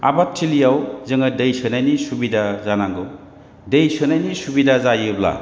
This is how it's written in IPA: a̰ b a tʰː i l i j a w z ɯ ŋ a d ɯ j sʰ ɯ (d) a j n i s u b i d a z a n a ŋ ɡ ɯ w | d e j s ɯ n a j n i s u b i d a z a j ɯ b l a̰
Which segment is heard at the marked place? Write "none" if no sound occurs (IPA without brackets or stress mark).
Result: n